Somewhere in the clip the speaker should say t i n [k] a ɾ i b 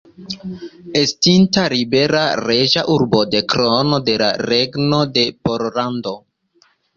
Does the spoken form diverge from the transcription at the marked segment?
yes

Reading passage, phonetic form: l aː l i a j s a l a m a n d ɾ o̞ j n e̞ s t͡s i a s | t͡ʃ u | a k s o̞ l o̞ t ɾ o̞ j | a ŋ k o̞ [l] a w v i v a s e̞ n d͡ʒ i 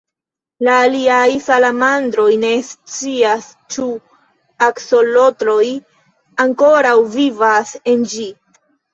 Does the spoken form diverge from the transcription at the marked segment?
yes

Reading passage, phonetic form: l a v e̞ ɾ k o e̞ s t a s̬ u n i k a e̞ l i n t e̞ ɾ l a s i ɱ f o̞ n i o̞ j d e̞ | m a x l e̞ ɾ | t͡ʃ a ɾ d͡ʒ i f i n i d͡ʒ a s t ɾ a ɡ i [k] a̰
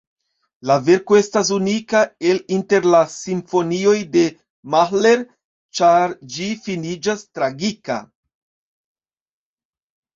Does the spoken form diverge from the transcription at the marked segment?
no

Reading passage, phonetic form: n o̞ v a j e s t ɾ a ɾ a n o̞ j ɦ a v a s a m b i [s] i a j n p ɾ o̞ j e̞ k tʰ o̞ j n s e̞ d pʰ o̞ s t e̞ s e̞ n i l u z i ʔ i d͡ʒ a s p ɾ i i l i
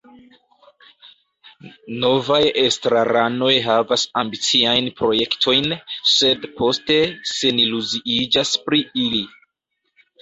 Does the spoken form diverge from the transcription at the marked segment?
yes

